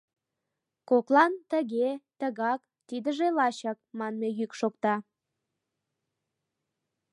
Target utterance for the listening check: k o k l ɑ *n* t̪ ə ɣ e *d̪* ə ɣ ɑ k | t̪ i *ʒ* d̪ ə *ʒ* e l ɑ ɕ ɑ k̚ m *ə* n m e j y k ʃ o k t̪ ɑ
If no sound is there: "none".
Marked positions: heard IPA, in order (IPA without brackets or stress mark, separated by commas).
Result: n, t̪, none, ʒ, ɑ